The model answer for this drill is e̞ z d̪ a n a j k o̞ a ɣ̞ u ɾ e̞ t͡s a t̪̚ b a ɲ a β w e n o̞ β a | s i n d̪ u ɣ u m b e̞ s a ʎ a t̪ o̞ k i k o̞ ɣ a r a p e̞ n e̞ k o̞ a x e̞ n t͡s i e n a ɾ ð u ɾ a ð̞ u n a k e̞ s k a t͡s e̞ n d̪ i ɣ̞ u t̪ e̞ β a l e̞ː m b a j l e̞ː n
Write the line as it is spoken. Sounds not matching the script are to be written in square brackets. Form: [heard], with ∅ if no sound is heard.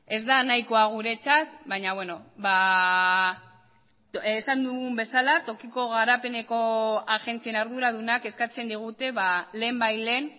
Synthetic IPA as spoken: e̞ z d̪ a n a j k o̞ a ɣ̞ u ɾ e̞ t͡s a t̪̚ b a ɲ a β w e n o̞ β a | s [a] n d̪ u ɣ u m b e̞ s a [l] a t̪ o̞ k i k o̞ ɣ a [ɾ] a p e̞ n e̞ k o̞ a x e̞ n t͡s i e n a ɾ ð u ɾ a ð̞ u n a k e̞ s k a t͡s e̞ n d̪ i ɣ̞ u t̪ e̞ β a l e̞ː m b a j l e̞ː n